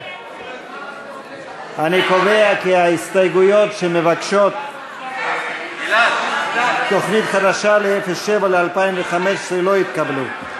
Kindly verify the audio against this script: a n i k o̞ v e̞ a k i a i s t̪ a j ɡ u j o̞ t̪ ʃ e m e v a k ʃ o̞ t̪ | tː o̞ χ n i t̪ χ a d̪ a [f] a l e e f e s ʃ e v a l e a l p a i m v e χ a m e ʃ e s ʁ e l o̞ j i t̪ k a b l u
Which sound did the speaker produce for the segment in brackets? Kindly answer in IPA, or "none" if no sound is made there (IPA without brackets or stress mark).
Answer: ʃ